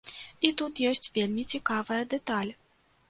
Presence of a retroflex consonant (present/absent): absent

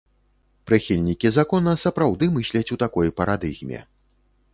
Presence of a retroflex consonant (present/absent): absent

